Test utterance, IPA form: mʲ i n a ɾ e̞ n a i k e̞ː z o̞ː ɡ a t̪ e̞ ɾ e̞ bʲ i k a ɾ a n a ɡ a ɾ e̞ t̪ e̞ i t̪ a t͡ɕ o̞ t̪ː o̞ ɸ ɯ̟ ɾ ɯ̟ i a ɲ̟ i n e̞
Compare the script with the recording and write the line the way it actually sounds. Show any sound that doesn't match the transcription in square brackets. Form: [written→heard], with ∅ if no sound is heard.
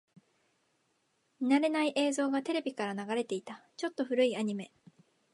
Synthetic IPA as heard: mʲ i n a ɾ e̞ n a i [k→ʔ] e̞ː z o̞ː ɡ a t̪ e̞ ɾ e̞ bʲ i k a ɾ a n a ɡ a ɾ e̞ t̪ e̞ i t̪ a t͡ɕ o̞ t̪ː o̞ ɸ ɯ̟ ɾ ɯ̟ i a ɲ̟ i [n→m] e̞